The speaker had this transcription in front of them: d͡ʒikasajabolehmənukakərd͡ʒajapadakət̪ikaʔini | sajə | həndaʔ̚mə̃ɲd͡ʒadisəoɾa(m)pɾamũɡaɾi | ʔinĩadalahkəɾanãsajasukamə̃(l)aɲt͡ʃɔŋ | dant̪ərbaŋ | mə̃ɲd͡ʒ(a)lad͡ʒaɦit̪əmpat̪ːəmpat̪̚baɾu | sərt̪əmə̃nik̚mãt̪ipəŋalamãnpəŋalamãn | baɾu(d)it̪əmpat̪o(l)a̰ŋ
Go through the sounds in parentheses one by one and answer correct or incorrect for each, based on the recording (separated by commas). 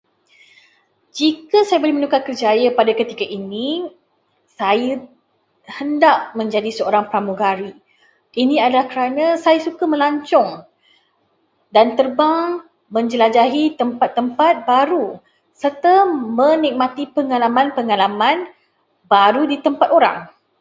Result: incorrect, correct, incorrect, correct, incorrect